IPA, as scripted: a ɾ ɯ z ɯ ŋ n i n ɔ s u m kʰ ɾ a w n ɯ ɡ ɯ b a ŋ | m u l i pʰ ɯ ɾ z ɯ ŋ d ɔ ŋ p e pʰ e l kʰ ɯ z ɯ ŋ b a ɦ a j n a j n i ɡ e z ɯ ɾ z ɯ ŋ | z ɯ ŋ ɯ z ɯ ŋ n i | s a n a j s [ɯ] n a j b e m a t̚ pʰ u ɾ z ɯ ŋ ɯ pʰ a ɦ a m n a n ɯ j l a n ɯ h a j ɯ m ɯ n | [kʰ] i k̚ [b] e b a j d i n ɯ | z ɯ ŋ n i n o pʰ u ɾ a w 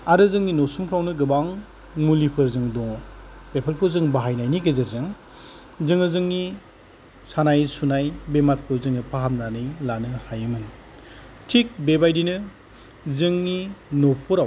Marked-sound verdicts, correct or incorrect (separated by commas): incorrect, incorrect, correct